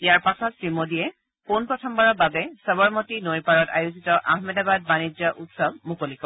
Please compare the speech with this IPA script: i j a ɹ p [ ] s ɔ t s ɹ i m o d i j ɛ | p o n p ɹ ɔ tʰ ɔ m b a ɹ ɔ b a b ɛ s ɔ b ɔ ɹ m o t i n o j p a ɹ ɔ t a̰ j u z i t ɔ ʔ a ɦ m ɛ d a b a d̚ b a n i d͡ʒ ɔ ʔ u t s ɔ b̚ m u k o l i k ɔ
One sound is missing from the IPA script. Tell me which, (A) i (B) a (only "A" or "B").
B